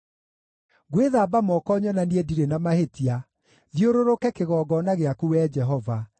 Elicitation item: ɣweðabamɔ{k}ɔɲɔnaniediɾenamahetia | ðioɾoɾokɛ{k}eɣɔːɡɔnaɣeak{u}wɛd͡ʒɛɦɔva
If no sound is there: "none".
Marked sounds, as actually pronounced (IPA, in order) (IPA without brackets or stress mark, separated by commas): k, k, u